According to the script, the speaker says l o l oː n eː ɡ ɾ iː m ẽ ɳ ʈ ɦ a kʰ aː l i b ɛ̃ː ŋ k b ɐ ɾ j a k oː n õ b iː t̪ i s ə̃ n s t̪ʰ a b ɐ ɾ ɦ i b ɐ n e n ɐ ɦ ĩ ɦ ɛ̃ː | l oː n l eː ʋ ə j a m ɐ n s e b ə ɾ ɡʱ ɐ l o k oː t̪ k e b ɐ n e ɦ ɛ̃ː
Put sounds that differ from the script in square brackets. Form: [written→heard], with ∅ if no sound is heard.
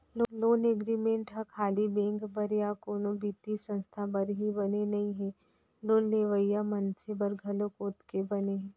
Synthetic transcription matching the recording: l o l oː n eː ɡ ɾ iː m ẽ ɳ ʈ ɦ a kʰ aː l i b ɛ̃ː ŋ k b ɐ ɾ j a k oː n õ b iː t̪ i s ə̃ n s t̪ʰ a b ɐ ɾ ɦ i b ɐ n e n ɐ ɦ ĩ ɦ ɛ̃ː | l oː n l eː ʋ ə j a m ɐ n s e b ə ɾ ɡʱ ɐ l o k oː t̪ k e b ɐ n e ɦ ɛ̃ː

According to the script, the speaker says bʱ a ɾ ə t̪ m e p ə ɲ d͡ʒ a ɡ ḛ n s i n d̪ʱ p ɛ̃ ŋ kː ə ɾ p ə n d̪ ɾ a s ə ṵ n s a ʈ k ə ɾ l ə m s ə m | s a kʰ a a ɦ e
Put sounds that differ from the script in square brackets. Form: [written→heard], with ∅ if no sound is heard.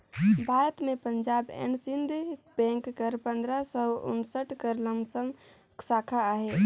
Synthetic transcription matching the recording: bʱ a ɾ ə t̪ m e p ə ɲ d͡ʒ a [ɡ→b] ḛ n s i n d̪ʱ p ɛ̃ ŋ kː ə ɾ p ə n d̪ ɾ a s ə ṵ n s [a→ə] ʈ k ə ɾ l ə m s ə m | s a kʰ a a ɦ e

